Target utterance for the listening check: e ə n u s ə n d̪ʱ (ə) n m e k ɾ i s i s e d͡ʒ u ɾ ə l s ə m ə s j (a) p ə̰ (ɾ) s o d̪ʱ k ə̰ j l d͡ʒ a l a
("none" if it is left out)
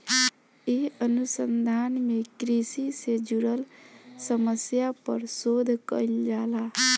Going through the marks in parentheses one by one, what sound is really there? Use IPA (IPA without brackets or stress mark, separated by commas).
a, a, ɾ